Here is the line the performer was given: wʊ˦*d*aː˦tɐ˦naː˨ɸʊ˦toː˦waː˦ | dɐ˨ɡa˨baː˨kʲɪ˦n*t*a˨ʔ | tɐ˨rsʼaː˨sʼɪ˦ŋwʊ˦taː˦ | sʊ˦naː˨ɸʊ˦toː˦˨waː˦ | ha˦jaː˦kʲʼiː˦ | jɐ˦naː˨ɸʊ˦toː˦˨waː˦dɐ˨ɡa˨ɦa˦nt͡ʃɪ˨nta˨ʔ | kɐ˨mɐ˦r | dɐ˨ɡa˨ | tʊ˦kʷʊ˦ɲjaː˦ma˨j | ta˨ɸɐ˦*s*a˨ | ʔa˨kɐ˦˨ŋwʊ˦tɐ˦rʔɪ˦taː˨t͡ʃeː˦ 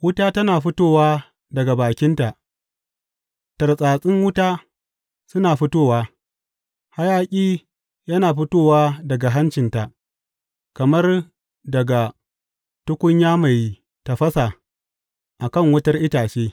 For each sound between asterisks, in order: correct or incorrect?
incorrect: t, correct, correct

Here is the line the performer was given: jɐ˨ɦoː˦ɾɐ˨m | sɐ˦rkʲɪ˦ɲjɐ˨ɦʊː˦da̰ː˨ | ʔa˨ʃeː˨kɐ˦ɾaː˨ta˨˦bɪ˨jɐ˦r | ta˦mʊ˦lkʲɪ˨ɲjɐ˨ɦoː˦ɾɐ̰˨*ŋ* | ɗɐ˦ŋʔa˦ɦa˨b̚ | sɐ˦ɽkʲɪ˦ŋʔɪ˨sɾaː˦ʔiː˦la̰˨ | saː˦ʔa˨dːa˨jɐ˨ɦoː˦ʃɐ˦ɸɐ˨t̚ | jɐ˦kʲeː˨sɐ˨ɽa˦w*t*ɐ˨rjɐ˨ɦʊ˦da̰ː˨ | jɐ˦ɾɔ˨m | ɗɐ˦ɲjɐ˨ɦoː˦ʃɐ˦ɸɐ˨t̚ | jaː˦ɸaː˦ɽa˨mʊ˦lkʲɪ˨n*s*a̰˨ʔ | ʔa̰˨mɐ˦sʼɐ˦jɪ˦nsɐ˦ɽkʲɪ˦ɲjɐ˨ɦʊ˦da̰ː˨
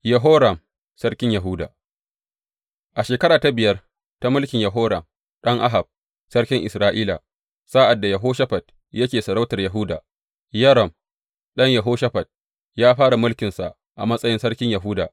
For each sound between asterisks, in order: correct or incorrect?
incorrect: m, correct, correct

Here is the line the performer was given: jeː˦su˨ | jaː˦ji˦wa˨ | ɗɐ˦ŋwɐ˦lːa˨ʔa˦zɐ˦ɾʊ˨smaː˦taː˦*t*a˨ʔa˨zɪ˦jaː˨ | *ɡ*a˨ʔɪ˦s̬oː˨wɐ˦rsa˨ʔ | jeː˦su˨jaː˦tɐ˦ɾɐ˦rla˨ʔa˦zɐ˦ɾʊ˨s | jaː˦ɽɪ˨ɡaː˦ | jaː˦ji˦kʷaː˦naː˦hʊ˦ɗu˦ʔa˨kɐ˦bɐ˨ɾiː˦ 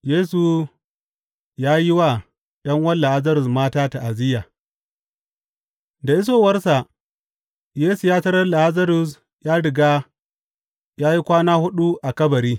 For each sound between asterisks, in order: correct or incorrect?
correct, incorrect: d

